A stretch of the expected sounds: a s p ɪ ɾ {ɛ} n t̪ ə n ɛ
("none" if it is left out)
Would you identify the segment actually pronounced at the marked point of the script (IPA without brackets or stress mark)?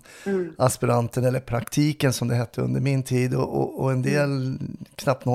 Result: a